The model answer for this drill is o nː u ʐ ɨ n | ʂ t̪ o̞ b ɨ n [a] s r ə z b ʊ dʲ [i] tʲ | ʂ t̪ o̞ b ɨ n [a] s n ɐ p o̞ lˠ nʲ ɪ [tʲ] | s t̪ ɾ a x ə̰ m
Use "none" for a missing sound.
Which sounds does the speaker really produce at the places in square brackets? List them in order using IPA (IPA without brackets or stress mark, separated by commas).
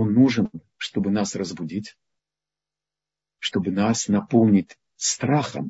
a, i, a, tʲ